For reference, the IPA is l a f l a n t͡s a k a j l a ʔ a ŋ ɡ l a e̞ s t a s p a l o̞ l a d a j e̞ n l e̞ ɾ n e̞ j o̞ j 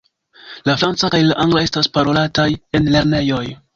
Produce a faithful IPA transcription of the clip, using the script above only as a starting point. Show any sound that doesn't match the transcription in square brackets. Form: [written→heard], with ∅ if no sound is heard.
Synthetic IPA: l a f [l→ɾ] a n t͡s a k a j l a ʔ a ŋ ɡ l a e̞ s t a s p a [l→ɾ] o̞ l a [d→t] a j e̞ n l e̞ ɾ n e̞ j o̞ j